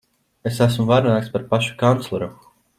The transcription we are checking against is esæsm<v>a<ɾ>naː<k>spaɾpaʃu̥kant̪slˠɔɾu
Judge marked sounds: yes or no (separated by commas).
yes, yes, yes